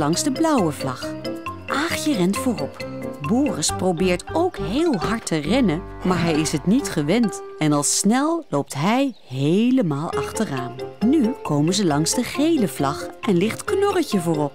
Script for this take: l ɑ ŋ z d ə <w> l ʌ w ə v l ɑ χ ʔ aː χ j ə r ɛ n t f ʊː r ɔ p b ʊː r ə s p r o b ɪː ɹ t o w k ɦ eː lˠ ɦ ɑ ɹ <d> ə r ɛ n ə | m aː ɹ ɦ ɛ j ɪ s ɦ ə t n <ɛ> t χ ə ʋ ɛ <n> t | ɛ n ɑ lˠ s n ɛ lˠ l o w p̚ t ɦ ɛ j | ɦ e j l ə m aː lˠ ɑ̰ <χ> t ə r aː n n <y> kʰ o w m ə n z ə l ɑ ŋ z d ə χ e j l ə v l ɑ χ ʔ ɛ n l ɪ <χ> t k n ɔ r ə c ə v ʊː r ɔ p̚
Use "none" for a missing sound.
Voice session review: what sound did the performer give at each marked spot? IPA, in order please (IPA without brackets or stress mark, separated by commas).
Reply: b, t, i, n, χ, y, χ